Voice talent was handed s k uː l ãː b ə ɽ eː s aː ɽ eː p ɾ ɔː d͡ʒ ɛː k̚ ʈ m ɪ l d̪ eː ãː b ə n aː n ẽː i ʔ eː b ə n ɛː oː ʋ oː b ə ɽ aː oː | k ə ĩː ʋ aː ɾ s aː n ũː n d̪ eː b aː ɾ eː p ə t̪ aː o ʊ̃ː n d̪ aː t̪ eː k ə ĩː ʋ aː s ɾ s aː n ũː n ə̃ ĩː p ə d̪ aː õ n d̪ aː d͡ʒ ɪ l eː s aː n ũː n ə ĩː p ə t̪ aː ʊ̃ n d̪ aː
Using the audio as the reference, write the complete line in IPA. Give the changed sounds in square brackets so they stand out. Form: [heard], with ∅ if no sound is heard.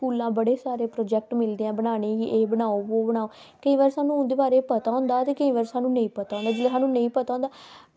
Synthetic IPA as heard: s k uː l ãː b ə ɽ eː s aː [ɾ] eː p ɾ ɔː d͡ʒ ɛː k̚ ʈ m ɪ l d̪ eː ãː b ə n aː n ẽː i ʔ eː b ə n [aː] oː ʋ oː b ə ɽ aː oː | k ə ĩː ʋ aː ɾ s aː n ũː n d̪ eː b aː ɾ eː p ə t̪ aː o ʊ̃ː n d̪ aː t̪ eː k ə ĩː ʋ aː [∅] ɾ s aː n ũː n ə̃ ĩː p ə [t̪] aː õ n d̪ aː d͡ʒ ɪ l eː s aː n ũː n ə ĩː p ə t̪ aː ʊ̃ n d̪ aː